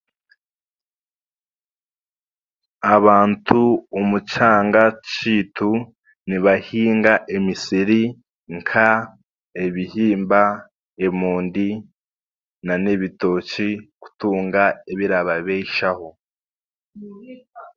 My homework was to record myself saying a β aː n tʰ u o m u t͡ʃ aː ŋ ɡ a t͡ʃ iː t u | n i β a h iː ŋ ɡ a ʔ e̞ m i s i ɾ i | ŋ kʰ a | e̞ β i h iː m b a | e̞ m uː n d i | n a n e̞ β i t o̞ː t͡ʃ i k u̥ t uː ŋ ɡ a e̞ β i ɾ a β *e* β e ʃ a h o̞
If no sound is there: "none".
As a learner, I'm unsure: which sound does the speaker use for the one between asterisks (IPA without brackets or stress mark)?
a